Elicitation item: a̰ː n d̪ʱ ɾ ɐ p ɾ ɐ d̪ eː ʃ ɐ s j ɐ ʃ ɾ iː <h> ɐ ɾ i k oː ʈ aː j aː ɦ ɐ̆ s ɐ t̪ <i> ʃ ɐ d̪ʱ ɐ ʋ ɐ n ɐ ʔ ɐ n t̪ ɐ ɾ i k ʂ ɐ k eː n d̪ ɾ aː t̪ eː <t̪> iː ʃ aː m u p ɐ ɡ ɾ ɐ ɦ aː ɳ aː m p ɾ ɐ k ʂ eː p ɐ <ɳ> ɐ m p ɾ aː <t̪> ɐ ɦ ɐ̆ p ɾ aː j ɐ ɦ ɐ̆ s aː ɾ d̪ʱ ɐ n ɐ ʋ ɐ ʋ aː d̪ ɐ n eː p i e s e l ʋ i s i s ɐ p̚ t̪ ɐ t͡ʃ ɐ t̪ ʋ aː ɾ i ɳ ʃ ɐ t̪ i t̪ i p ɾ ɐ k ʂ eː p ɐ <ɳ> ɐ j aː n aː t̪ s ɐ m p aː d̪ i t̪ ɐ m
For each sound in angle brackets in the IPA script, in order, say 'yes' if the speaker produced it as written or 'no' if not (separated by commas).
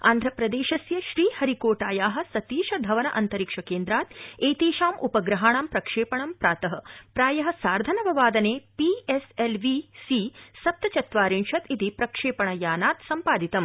yes, no, yes, yes, yes, yes